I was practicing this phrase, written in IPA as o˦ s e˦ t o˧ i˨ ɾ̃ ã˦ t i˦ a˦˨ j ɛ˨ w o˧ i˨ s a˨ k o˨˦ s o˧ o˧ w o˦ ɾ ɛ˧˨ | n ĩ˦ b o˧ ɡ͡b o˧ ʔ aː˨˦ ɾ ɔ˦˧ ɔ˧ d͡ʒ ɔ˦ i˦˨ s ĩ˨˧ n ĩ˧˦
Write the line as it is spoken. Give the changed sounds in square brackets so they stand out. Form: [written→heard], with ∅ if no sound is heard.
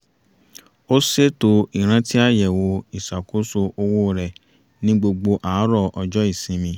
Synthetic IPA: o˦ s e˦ t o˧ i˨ ɾ̃ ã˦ t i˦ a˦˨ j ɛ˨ w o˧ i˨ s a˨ k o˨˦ s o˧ o˧ w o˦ ɾ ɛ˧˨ | n ĩ˦ [b→ɡ͡b] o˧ ɡ͡b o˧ ʔ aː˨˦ ɾ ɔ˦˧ ɔ˧ d͡ʒ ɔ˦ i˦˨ s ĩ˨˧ [n→m] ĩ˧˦